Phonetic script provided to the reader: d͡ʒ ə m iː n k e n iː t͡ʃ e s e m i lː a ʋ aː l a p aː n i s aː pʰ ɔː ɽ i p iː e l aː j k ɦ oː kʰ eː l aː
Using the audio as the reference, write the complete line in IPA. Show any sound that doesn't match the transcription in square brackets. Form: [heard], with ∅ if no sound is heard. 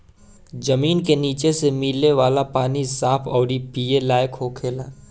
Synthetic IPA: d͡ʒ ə m iː n k e n iː t͡ʃ e s e m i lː [e] ʋ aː l a p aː n i s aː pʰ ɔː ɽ i p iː e l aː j k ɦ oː kʰ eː l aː